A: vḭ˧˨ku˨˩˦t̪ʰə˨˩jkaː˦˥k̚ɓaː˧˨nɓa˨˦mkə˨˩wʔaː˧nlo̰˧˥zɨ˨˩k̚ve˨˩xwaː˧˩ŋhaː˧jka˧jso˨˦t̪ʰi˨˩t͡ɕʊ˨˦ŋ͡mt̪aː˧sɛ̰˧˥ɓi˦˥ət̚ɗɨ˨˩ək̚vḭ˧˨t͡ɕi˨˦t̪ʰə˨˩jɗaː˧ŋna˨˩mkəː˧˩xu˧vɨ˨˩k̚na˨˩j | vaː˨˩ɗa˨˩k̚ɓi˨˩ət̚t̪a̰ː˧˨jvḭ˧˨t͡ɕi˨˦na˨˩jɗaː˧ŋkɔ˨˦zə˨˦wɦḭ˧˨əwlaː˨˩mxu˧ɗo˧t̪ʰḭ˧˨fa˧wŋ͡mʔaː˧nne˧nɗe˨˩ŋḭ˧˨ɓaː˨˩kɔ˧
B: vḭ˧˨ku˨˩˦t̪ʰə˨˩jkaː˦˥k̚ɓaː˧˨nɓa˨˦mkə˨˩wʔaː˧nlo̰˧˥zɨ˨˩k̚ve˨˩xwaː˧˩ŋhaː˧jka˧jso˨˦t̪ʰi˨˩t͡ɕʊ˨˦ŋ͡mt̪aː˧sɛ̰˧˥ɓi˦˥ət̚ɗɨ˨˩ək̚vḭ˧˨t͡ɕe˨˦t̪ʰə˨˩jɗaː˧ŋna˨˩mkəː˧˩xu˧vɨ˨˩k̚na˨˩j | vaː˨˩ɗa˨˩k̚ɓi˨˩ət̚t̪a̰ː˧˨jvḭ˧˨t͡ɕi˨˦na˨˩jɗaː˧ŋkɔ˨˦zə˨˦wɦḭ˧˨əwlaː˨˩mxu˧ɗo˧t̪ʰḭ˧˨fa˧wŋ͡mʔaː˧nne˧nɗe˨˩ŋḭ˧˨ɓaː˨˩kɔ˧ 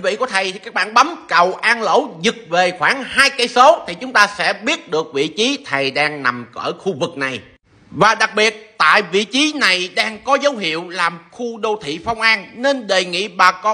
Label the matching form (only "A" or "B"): A